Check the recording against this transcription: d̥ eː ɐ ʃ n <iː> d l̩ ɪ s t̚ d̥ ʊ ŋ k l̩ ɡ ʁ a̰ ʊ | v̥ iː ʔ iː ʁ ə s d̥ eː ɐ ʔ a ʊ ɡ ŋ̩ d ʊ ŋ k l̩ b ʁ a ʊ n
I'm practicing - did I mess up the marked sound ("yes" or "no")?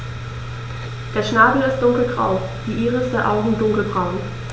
yes